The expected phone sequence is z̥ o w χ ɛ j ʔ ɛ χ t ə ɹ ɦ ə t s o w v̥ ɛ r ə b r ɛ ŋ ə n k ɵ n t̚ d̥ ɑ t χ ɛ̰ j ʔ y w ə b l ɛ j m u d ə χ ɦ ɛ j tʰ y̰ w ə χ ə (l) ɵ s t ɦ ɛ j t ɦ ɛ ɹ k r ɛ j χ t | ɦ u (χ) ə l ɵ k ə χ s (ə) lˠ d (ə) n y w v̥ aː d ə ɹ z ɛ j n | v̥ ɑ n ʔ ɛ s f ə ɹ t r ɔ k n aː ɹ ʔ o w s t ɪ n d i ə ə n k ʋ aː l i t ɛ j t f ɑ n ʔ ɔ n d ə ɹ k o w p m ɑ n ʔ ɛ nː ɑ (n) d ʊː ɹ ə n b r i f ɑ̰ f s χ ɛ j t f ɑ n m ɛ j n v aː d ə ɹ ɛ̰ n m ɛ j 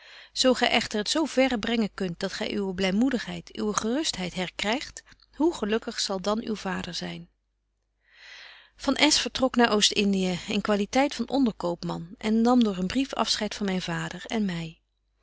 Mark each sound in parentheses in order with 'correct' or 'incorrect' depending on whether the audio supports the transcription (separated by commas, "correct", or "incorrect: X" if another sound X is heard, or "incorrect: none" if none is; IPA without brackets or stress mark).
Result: incorrect: r, correct, incorrect: ɑ, incorrect: ɑ, incorrect: m